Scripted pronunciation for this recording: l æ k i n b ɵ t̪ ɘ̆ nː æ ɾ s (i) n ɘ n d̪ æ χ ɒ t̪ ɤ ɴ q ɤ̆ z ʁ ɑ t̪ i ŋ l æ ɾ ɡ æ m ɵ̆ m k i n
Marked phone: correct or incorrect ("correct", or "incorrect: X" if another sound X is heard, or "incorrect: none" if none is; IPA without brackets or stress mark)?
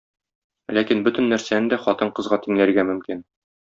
incorrect: æ